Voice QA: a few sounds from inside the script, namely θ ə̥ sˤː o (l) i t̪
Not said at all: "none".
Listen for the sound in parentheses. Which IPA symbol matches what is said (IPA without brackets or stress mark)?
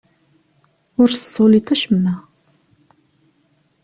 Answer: l